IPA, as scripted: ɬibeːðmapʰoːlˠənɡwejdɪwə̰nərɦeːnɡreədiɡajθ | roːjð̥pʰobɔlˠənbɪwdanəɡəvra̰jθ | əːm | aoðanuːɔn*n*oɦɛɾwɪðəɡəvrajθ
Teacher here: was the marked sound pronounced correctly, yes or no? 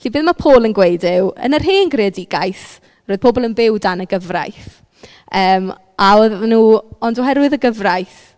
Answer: no